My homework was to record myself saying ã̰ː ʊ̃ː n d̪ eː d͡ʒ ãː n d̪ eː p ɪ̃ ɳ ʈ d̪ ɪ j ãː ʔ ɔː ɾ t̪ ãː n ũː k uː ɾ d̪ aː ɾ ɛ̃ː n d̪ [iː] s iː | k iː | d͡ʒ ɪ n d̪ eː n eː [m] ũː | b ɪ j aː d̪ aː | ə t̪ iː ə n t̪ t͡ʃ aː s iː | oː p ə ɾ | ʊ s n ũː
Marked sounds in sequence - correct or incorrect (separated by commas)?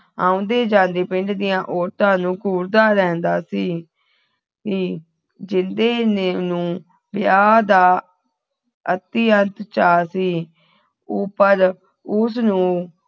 incorrect, incorrect